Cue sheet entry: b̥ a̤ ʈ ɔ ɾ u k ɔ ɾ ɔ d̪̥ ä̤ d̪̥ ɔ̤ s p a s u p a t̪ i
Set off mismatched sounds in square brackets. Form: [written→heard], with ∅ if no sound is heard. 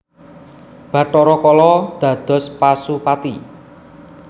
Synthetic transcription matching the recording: b̥ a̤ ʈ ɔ ɾ [u→ɔ] k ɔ [ɾ→l] ɔ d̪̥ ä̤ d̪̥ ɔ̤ s p a s u p a t̪ i